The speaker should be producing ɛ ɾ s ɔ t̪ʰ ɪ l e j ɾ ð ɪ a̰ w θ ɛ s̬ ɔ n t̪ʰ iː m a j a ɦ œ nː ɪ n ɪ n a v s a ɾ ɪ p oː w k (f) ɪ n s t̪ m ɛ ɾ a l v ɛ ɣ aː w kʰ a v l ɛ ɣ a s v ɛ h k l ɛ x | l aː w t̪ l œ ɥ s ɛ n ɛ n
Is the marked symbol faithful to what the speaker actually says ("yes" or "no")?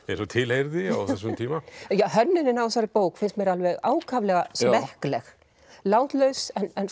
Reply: yes